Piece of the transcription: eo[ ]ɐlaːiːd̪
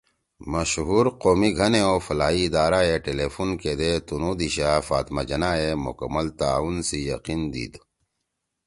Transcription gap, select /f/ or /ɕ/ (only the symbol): f